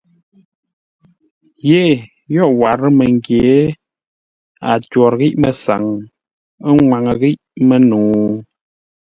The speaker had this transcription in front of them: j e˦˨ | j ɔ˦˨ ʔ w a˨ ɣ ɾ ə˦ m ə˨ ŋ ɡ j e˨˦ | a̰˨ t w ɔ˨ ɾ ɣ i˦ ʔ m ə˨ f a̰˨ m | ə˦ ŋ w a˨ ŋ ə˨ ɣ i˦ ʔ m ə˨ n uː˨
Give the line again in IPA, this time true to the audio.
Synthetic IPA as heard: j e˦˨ | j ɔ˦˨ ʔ w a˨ ɾ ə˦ m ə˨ ŋ ɡ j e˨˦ | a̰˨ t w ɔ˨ ɾ ɣ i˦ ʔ m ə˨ s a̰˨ ŋ | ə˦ ŋ w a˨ ŋ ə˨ ɣ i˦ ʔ m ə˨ n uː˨